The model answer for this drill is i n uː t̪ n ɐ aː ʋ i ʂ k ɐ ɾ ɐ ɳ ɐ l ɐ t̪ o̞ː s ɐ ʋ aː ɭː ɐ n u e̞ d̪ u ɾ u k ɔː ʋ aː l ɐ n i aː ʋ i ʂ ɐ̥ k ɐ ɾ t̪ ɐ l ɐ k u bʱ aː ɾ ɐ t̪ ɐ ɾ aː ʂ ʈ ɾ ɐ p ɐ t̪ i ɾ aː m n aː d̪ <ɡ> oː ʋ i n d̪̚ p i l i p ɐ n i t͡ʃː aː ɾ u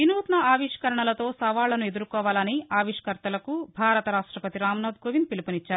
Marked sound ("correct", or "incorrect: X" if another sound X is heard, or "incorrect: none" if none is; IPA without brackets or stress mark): correct